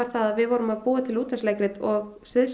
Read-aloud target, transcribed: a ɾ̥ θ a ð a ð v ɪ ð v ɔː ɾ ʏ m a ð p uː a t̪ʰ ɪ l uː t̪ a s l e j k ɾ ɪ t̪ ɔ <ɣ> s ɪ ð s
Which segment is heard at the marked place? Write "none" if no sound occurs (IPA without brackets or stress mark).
ɣ